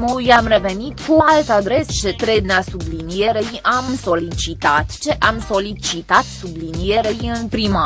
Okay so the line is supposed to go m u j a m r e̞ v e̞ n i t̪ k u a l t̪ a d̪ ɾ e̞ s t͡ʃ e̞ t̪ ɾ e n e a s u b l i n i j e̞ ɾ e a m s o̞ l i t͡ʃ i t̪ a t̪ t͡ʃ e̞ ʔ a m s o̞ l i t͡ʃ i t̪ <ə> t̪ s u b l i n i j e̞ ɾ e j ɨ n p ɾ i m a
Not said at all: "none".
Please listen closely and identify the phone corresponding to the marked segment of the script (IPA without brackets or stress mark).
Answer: a